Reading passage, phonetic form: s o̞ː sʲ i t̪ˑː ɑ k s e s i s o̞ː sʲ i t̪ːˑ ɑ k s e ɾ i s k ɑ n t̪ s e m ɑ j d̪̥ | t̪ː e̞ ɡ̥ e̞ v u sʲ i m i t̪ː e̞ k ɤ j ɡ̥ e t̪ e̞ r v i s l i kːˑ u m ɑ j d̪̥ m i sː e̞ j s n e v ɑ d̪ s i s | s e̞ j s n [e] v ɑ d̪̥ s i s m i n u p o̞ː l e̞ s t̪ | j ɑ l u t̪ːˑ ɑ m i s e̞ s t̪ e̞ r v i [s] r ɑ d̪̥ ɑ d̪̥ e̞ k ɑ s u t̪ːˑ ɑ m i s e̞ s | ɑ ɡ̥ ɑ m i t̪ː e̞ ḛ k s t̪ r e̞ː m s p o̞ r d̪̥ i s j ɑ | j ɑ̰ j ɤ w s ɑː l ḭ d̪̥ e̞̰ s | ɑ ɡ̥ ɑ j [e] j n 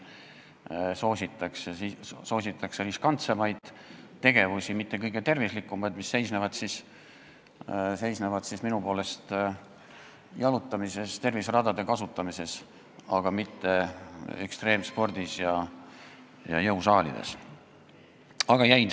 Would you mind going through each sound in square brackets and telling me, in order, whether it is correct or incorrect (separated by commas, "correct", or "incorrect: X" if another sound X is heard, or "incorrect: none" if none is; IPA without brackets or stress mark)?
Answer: correct, correct, incorrect: æ